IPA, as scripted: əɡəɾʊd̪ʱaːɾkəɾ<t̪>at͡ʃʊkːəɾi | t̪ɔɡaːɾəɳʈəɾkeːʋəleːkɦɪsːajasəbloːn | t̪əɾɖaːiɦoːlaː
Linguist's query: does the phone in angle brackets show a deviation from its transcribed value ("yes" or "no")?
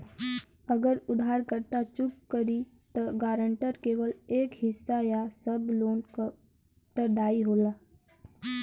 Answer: no